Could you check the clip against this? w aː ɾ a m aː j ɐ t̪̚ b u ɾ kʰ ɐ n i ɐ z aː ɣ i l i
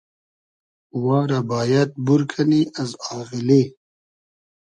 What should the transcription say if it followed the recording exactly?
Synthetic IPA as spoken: w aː ɾ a b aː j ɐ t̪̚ b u ɾ kʰ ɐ n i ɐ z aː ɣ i l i